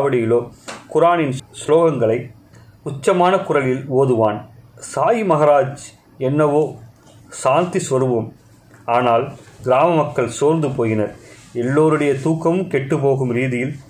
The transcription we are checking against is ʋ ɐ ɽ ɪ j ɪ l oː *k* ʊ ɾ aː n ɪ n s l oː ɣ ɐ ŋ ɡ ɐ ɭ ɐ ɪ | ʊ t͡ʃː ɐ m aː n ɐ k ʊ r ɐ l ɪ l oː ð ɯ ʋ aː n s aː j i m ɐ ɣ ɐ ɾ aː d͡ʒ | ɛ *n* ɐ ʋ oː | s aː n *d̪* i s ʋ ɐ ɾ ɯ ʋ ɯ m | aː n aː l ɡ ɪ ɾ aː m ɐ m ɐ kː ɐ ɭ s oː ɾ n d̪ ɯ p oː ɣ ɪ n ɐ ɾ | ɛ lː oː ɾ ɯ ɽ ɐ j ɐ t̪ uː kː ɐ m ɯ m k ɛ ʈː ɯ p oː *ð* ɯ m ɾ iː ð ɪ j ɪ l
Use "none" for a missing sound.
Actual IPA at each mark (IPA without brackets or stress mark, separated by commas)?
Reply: k, nː, t̪, ɣ